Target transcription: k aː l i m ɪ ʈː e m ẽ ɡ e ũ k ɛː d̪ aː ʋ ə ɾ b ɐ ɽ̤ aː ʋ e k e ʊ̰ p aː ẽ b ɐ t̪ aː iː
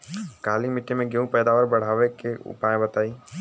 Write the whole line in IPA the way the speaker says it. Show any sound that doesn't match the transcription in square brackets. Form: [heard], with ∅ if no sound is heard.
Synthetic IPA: k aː l i m ɪ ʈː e m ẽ ɡ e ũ [p] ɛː d̪ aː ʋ ə ɾ b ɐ ɽ̤ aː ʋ e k e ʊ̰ p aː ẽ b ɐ t̪ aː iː